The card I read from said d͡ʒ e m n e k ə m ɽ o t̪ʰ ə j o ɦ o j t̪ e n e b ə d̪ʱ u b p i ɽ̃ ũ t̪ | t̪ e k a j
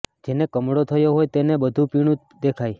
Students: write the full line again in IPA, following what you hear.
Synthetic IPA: d͡ʒ e n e k ə m ɽ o t̪ʰ ə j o ɦ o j t̪ e n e b ə d̪ʱ u p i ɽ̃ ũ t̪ | d̪ e kʰ a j

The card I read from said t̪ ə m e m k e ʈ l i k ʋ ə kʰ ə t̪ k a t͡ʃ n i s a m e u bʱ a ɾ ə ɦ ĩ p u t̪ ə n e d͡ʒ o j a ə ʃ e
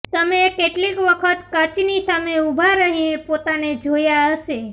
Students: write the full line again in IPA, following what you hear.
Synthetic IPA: t̪ ə m e k e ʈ l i k ʋ ə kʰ ə t̪ k ə t͡ʃ n i s a m e u bʱ a ɾ ə ɦ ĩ p o t̪ a n e d͡ʒ o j a ə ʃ e

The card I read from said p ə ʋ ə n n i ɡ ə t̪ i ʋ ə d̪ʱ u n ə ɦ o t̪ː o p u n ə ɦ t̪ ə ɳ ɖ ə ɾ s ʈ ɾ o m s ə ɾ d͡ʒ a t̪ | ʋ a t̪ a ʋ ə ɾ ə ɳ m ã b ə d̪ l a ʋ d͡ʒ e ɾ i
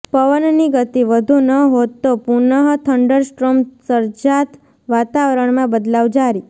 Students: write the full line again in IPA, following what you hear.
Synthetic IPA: p ə ʋ ə n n i ɡ ə t̪ i ʋ ə d̪ʱ u n ə ɦ o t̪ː o p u n ə ɦ t̪ʰ ə ɳ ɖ ə ɾ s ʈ ɾ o m s ə ɾ d͡ʒ a t̪ | ʋ a t̪ a ʋ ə ɾ ə ɳ m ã b ə d̪ l a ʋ d͡ʒ a ɾ i

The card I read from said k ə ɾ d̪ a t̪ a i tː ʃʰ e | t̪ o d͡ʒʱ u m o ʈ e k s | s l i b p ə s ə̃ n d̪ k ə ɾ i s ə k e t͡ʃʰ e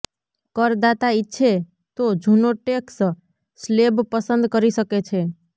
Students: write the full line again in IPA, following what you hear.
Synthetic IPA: k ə ɾ d̪ a t̪ a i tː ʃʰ e | t̪ o d͡ʒʱ u n o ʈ e k s | s l e b p ə s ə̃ n d̪ k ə ɾ i s ə k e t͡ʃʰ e

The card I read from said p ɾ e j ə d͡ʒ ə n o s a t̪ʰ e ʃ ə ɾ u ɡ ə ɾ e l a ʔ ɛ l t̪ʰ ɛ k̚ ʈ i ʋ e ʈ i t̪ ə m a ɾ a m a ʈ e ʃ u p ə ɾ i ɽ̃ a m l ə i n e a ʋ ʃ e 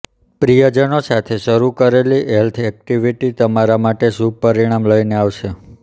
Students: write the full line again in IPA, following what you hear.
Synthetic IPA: p ɾ i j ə d͡ʒ ə n o s a t̪ʰ e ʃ ə ɾ u k ə ɾ e l i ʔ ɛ l t̪ʰ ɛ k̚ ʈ i ʋ i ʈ i t̪ ə m a ɾ a m a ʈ e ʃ u p ə ɾ i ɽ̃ a m l ə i n e a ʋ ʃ e

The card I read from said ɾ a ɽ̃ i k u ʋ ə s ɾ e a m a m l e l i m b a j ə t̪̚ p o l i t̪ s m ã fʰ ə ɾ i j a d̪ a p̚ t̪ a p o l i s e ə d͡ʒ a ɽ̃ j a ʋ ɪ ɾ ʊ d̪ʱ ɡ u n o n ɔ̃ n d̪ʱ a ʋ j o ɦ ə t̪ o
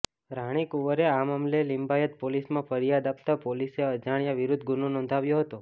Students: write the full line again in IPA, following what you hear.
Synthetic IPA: ɾ a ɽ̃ i k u ʋ ə ɾ e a m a m l e l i m b a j ə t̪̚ p o l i s m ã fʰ ə ɾ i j a d̪ a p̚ t̪ a p o l i s e ə d͡ʒ a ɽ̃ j a ʋ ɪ ɾ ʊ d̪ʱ ɡ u n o n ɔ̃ n d̪ʱ a ʋ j o ɦ ə t̪ o

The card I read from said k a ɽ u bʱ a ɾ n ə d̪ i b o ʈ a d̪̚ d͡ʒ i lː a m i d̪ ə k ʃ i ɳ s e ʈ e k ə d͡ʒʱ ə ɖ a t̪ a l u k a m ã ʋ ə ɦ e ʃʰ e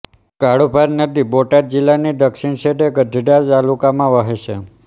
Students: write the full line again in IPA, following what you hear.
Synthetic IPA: k a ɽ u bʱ a ɾ n ə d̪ i b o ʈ a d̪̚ d͡ʒ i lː a n i d̪ ə k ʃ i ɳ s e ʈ e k ə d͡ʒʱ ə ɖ a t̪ a l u k a m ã ʋ ə ɦ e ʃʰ e

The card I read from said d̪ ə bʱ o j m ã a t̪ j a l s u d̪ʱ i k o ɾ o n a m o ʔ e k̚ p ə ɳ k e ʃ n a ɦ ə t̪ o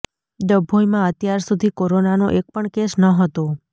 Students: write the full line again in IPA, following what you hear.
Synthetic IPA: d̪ ə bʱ o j m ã ə t̪ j a ɾ s u d̪ʱ i k o ɾ o n a n o ʔ e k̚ p ə ɳ k e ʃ n ə ɦ ə t̪ o

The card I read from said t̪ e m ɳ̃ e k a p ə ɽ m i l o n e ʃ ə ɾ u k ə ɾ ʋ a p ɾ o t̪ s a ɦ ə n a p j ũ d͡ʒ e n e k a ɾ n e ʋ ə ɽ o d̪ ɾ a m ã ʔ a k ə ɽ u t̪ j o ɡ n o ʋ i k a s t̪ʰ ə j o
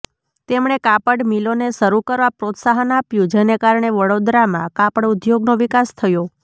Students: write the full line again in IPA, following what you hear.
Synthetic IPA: t̪ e m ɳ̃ e k a p ə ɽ m i l o n e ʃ ə ɾ u k ə ɾ ʋ a p ɾ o t̪ s a ɦ ə n a p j ũ d͡ʒ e n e k a ɾ ɳ e ʋ ə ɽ o d̪ ɾ a m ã k a p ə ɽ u d̪ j o ɡ n o ʋ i k a s t̪ʰ ə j o

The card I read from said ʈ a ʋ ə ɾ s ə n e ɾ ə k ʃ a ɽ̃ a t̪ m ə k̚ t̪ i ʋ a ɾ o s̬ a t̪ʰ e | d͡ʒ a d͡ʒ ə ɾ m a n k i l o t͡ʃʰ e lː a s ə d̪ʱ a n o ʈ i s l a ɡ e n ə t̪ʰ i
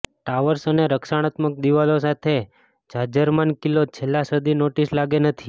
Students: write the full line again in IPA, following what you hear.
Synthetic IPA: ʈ a ʋ ə ɾ s ə n e ɾ ə k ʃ a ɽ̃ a t̪ m ə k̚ d̪ i ʋ a l o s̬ a t̪ʰ e | d͡ʒ a d͡ʒ ə ɾ m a n k i l o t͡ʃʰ e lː a s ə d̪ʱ i n o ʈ i s l a ɡ e n ə t̪ʰ i

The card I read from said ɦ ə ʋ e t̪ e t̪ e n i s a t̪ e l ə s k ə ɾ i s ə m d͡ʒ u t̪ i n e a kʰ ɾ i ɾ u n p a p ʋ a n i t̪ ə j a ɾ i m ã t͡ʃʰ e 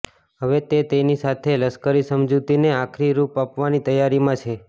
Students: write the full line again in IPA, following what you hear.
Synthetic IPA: ɦ ə ʋ e t̪ e t̪ e n i s a t̪ʰ e l ə s k ə ɾ i s ə m d͡ʒ u t̪ i n e a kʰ ɾ i ɾ u p a p ʋ a n i t̪ ə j a ɾ i m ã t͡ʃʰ e

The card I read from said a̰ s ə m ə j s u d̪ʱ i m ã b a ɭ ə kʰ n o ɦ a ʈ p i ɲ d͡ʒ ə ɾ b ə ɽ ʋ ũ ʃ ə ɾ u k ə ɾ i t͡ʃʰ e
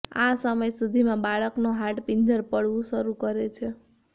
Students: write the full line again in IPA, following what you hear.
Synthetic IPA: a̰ s ə m ə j s u d̪ʱ i m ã b a ɭ ə k n o ɦ a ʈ p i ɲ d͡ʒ ə ɾ p ə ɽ ʋ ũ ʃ ə ɾ u k ə ɾ e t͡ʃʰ e

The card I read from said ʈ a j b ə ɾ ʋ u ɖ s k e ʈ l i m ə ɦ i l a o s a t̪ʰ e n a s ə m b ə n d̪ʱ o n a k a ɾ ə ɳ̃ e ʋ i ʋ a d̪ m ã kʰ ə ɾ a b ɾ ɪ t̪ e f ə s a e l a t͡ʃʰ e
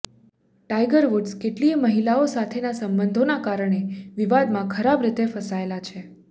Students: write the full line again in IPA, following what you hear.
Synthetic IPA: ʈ a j ɡ ə ɾ ʋ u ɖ s k e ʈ l i m ə ɦ i l a o s a t̪ʰ e n a s ə m b ə n d̪ʱ o n a k a ɾ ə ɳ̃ e ʋ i ʋ a d̪ m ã kʰ ə ɾ a b ɾ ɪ t̪ e f ə s a e l a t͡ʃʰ e

